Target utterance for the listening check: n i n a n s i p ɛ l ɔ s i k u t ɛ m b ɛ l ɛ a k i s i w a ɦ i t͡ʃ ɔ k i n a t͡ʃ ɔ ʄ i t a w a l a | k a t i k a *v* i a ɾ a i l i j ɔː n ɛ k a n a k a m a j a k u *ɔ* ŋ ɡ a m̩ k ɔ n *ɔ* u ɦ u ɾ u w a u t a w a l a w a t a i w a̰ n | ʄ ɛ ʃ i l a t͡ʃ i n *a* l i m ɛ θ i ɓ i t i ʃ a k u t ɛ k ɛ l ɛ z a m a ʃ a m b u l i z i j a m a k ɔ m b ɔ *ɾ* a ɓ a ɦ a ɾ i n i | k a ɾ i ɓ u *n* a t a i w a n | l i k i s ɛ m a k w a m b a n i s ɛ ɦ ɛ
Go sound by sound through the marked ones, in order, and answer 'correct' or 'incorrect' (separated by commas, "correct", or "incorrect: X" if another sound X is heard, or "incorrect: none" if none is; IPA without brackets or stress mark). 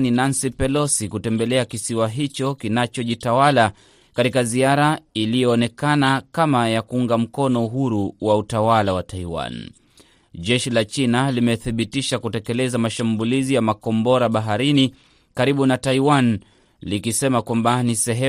incorrect: z, incorrect: u, correct, correct, correct, correct